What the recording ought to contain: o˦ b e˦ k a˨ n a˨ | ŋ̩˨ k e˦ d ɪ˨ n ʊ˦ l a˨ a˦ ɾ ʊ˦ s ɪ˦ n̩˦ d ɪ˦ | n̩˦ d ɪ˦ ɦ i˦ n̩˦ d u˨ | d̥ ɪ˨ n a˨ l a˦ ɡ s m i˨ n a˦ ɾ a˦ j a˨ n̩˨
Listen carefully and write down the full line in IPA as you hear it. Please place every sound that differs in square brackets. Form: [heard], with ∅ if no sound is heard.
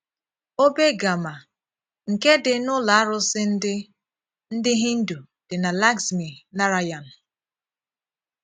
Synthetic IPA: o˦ b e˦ [ɡ] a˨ [m] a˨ | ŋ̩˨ k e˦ d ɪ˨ n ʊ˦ l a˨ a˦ ɾ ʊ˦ s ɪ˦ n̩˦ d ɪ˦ | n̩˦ d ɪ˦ ɦ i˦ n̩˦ d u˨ | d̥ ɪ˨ n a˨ l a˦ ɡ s m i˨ n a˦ ɾ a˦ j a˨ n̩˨